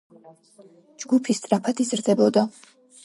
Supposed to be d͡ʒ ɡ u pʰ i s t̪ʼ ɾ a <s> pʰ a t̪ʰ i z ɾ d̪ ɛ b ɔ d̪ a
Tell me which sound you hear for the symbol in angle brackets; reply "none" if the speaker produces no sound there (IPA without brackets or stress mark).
none